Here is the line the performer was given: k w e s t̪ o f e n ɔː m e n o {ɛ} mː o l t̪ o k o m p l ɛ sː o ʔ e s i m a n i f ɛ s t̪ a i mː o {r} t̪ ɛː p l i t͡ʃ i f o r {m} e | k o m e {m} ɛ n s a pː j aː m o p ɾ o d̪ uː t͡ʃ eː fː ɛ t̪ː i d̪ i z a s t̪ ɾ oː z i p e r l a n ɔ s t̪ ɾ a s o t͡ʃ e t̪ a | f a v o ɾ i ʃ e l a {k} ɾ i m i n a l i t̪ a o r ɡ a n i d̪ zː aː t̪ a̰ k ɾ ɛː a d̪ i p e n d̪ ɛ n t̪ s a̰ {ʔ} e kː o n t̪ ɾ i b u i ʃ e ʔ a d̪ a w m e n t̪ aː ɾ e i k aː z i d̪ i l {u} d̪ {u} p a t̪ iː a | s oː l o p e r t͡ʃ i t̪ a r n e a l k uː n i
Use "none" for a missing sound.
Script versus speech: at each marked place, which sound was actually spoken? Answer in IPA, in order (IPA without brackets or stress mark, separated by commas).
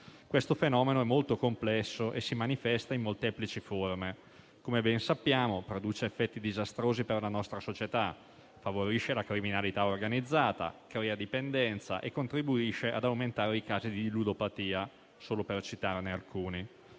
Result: ɛ, l, m, b, k, ʔ, u, o